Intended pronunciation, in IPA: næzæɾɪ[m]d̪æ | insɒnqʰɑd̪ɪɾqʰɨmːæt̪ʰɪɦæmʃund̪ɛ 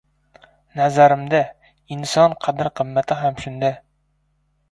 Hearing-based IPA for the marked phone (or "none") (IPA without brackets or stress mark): m